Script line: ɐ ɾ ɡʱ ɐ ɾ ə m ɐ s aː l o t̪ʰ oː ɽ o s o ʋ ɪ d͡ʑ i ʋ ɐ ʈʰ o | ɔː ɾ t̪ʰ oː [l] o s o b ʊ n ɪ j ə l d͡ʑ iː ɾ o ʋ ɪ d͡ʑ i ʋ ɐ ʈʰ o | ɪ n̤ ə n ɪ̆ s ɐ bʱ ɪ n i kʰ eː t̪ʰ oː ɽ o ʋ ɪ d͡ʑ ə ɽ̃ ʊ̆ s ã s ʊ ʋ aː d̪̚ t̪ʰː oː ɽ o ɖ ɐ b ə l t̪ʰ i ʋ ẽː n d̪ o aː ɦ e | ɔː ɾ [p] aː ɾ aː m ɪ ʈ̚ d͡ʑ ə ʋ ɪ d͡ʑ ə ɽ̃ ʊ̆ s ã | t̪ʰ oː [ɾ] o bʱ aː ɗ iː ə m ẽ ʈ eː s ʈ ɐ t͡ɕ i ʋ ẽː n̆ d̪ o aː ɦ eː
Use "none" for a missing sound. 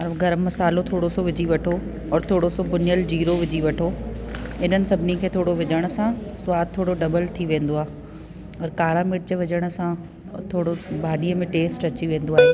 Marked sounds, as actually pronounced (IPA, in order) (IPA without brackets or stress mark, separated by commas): ɽ, k, ɽ